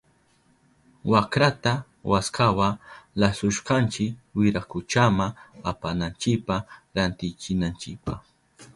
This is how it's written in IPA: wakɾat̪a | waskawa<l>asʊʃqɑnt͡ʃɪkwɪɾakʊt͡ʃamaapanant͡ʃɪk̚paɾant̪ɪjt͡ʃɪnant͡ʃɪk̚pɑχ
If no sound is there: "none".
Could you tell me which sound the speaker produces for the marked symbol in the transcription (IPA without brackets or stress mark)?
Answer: l